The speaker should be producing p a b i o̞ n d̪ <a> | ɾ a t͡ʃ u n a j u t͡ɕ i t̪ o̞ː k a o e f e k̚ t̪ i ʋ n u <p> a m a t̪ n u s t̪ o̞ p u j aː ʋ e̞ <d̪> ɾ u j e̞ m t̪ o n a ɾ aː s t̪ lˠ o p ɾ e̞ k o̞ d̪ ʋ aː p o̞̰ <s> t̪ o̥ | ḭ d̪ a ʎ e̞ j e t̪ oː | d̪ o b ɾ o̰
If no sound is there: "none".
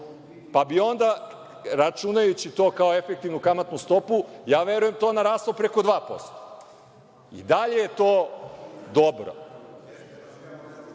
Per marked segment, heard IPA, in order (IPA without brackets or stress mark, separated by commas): a, k, none, s